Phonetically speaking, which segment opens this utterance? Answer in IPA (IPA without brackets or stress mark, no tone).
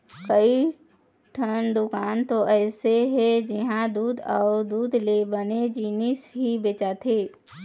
k